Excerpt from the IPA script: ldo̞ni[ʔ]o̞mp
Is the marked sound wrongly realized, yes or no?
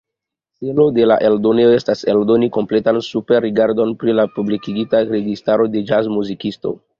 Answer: yes